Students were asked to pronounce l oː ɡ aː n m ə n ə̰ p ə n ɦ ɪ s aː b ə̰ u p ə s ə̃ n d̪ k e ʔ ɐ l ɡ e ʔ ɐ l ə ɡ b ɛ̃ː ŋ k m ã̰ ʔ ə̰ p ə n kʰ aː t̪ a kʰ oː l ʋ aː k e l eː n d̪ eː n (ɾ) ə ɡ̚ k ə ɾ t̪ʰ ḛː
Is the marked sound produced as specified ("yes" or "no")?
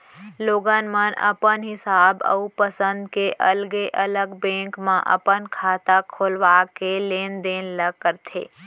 no